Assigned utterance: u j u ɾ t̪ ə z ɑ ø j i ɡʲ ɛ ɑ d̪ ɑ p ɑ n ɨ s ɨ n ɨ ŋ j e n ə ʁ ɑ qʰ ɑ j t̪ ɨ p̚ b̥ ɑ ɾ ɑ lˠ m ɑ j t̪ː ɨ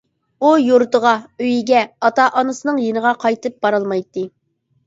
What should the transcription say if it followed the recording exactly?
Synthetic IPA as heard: u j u ɾ t̪ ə ʁ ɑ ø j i ɡʲ ɛ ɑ t̪ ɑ ʔ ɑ n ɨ s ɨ n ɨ ŋ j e n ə ʁ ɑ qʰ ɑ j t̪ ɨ p̚ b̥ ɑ ɾ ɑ lˠ m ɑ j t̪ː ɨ